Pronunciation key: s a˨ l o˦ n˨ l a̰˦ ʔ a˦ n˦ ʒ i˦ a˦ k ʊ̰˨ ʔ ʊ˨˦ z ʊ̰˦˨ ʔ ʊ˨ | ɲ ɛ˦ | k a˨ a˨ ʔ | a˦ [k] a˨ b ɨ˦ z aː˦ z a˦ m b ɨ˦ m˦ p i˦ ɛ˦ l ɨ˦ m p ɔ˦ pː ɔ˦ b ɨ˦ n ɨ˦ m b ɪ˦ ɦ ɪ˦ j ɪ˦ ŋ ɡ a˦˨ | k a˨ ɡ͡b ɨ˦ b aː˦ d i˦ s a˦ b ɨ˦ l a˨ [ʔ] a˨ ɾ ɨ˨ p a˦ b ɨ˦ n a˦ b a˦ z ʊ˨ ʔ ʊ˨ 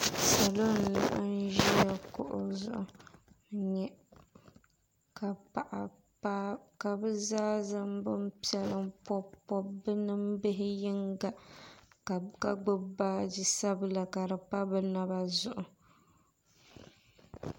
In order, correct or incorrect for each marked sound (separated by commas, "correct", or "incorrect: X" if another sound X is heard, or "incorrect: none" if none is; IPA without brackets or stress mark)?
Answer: correct, incorrect: k